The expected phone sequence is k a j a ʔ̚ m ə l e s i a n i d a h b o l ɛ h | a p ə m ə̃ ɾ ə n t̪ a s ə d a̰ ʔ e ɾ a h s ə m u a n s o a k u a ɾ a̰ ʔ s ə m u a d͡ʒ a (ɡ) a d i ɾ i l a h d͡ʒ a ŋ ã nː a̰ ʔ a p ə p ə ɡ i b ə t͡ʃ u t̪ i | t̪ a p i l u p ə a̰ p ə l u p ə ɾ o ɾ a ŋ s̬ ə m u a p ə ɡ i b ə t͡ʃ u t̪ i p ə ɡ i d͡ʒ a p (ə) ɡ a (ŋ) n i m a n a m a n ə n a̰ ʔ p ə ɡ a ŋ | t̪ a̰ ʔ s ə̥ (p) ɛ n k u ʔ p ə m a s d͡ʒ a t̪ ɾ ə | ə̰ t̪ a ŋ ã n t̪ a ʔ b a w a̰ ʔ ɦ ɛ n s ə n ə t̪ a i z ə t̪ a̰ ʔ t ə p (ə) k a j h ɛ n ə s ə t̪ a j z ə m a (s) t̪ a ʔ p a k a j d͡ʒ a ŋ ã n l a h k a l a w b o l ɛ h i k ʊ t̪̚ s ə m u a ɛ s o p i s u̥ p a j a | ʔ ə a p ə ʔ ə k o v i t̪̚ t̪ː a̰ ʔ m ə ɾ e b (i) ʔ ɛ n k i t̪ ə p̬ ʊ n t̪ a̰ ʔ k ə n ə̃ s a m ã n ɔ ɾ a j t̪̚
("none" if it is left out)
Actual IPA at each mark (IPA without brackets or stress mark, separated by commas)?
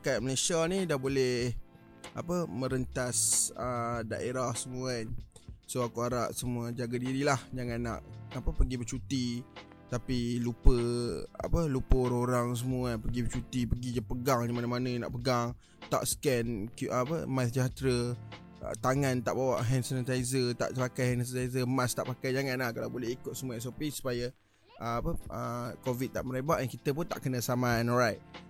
ɡ, ə, ŋ, k, a, s, a